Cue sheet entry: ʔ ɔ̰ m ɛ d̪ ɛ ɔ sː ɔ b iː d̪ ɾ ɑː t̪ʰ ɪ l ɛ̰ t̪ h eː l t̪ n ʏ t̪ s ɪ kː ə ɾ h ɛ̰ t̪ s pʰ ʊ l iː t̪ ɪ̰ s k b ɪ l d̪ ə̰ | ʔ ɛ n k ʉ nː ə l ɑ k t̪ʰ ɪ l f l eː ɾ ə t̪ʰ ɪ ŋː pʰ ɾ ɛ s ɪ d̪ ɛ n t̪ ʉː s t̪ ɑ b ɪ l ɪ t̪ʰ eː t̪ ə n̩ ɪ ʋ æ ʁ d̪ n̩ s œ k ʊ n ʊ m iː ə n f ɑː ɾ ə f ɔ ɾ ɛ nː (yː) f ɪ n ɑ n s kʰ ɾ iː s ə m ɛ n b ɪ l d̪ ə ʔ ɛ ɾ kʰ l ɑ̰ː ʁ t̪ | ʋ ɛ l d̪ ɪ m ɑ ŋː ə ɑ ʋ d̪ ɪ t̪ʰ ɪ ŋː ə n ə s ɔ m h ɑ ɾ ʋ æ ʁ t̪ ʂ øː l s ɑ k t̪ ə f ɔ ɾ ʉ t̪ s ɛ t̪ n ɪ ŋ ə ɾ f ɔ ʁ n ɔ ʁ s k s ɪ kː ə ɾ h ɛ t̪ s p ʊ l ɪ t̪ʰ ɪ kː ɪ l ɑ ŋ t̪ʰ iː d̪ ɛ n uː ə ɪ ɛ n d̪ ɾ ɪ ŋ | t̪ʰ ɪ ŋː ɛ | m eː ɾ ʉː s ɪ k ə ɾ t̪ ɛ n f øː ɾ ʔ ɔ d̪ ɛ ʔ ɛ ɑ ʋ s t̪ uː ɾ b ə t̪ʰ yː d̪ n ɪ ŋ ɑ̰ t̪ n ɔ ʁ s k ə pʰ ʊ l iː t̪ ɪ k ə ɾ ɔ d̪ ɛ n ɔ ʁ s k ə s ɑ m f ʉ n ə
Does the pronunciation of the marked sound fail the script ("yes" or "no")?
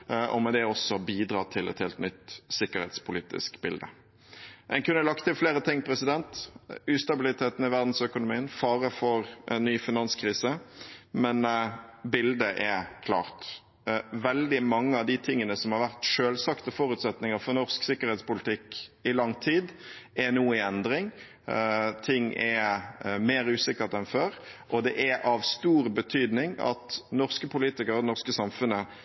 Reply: no